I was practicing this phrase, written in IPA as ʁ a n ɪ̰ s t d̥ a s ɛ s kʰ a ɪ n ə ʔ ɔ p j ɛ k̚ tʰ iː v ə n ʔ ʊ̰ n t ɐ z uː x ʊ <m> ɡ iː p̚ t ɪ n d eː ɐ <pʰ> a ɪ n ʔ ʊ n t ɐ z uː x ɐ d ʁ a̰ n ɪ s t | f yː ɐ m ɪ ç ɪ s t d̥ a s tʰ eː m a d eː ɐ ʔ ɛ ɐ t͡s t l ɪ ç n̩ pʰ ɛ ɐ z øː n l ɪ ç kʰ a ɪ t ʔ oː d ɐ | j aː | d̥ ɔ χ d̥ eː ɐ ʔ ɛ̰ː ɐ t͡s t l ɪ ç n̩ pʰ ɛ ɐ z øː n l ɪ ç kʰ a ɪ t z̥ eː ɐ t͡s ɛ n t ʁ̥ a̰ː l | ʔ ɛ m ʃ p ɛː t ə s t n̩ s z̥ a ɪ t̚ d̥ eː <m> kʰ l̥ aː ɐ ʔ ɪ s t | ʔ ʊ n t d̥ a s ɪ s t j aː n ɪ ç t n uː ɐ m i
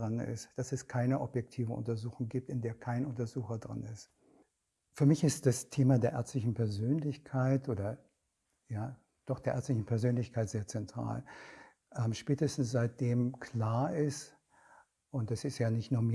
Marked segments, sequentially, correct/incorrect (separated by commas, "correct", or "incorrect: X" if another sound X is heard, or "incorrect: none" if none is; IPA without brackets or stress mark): incorrect: ŋ, incorrect: kʰ, correct